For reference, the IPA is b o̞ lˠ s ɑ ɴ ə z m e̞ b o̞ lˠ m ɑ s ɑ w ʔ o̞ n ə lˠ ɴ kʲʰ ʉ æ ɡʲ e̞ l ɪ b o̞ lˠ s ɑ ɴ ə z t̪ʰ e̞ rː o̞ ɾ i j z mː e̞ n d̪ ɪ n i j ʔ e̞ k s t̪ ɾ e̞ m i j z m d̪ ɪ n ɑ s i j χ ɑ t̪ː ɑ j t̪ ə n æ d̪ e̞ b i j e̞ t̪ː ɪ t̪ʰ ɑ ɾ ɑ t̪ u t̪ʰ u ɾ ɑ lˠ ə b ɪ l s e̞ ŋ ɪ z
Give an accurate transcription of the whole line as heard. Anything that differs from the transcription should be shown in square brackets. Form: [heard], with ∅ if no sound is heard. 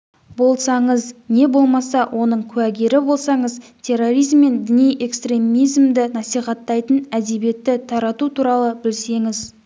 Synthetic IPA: b o̞ lˠ s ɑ ɴ ə z [n] e̞ b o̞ lˠ m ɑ s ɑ w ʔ o̞ n ə [∅] ɴ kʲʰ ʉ æ ɡʲ e̞ [ɾ] ɪ b o̞ lˠ s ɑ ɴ ə z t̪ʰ e̞ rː o̞ ɾ i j z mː e̞ n d̪ ɪ n i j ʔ e̞ k s t̪ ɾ e̞ m i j z m d̪ ɪ n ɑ s i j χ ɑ t̪ː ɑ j t̪ ə n æ d̪ e̞ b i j e̞ t̪ː ɪ t̪ʰ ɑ ɾ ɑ t̪ u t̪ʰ u ɾ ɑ lˠ ə b ɪ l s e̞ ŋ ɪ z

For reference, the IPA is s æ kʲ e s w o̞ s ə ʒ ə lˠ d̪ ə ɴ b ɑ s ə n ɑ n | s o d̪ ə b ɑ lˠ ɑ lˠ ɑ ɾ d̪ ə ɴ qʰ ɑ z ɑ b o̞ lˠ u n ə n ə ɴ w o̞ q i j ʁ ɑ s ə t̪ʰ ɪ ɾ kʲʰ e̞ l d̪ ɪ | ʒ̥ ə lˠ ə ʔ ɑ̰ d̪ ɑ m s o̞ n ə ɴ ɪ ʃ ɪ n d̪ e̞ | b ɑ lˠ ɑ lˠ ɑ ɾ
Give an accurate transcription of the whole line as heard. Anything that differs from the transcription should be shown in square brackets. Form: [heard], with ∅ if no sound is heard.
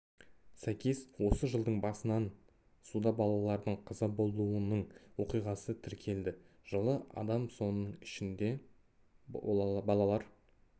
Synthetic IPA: s æ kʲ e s w o̞ s ə ʒ ə lˠ d̪ ə ɴ b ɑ s ə n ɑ n | s [u] d̪ [ɑ] b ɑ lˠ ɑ lˠ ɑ ɾ d̪ ə ɴ qʰ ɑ z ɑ b o̞ lˠ u [∅] ə n ə ɴ w o̞ q i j ʁ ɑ s ə t̪ʰ ɪ ɾ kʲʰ e̞ l d̪ ɪ | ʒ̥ ə lˠ ə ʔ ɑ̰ d̪ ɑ m s o̞ n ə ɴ ɪ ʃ ɪ n d̪ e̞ | b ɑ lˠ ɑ lˠ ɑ ɾ

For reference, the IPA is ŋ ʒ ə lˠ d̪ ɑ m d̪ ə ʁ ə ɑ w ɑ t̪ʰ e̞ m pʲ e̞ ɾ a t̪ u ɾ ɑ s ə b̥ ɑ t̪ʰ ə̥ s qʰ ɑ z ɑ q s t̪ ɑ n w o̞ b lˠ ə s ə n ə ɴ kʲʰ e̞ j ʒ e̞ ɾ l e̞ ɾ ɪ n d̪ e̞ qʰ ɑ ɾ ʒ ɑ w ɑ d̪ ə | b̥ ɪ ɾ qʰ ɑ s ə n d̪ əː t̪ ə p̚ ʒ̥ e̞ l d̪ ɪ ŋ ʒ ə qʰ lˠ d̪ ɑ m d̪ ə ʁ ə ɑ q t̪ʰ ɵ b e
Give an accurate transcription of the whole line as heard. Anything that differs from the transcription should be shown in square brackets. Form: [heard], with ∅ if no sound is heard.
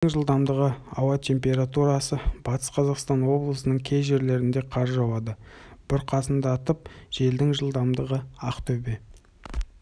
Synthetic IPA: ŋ ʒ ə lˠ d̪ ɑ m d̪ ə ʁ ə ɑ w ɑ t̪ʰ e̞ m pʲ e̞ ɾ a t̪ u ɾ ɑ s ə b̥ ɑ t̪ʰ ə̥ s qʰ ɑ z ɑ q s t̪ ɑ n w o̞ b lˠ ə s ə n ə ɴ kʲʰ e̞ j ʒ e̞ ɾ l e̞ ɾ ɪ n d̪ e̞ qʰ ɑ ɾ ʒ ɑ w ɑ d̪ ə | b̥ ɪ ɾ qʰ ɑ s ə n d̪ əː t̪ ə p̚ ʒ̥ e̞ l d̪ ɪ ŋ ʒ ə [∅] lˠ d̪ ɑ m d̪ ə ʁ ə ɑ q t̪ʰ ɵ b e

